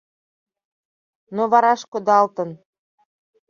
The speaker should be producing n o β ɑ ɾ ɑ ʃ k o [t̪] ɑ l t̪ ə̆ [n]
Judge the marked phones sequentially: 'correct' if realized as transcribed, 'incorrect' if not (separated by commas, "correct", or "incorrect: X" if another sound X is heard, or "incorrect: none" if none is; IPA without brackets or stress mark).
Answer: incorrect: d̪, correct